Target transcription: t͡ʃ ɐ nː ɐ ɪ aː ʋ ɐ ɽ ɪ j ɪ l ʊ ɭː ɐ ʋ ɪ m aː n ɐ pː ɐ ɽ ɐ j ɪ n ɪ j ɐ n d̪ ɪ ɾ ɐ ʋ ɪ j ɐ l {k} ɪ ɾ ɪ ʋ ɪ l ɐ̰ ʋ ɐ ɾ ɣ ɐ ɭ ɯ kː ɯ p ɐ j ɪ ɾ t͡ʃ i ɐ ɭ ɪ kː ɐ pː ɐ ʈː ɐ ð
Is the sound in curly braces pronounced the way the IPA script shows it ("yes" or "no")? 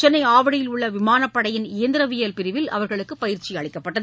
no